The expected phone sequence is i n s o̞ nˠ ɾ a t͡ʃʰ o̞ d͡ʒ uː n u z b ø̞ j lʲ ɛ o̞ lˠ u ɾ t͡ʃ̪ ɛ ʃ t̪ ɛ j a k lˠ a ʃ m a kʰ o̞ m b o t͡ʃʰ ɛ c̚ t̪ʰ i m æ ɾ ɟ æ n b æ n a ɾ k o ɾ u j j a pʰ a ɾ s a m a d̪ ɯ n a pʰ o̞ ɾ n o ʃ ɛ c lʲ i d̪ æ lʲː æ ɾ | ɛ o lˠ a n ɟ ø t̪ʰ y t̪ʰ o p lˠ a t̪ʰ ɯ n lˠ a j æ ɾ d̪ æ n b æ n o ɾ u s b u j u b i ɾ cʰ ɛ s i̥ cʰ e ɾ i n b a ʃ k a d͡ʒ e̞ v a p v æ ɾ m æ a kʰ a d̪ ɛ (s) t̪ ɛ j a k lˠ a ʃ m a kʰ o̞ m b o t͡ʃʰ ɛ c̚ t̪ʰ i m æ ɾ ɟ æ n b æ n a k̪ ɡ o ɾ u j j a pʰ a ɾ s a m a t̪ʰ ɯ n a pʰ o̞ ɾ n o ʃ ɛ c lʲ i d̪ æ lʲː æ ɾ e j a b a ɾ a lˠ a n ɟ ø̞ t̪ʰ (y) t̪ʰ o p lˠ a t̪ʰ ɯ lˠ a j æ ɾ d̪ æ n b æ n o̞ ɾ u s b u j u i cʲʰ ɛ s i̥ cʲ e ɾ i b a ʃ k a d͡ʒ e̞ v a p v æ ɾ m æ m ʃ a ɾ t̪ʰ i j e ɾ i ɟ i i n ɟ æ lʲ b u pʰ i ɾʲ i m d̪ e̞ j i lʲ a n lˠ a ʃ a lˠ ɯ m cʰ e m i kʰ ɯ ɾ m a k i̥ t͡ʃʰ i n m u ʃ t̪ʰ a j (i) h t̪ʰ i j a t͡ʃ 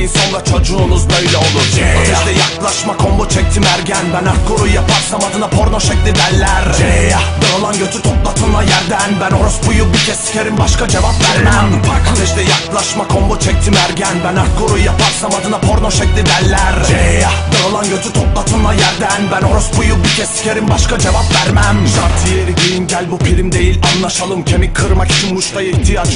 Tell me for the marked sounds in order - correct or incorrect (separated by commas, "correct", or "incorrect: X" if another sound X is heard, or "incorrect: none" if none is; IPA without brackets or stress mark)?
incorrect: ʃ, correct, correct